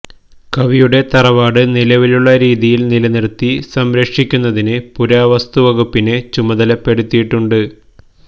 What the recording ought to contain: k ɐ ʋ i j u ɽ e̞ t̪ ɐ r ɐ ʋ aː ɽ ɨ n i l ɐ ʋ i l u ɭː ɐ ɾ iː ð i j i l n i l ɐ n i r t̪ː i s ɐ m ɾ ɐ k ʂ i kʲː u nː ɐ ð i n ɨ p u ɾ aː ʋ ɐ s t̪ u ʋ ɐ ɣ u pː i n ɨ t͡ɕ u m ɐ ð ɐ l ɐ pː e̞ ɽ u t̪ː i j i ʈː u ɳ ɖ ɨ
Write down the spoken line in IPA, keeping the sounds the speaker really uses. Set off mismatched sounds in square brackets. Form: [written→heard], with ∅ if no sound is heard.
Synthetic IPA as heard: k ɐ ʋ i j u ɽ e̞ t̪ ɐ r ɐ ʋ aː ɽ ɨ n i l ɐ ʋ i l u ɭː ɐ ɾ iː ð i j i l n i l ɐ n i r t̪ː i s ɐ m ɾ ɐ k ʂ i kʲː u nː ɐ ð i n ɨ p u ɾ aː ʋ ɐ s t̪ u ʋ ɐ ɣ u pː i n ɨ t͡ɕ u m ɐ ð ɐ l ɐ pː e̞ ɽ u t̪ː i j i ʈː u ɳ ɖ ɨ